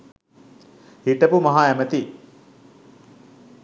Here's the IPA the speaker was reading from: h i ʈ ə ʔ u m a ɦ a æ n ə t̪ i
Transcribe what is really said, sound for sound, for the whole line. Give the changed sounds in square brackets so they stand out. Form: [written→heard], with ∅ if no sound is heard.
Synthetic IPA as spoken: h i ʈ ə [ʔ→p] u m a ɦ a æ [n→m] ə t̪ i